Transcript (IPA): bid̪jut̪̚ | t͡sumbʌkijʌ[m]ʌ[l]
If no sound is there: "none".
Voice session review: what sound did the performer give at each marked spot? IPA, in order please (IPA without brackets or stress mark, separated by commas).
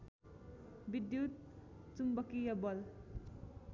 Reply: b, l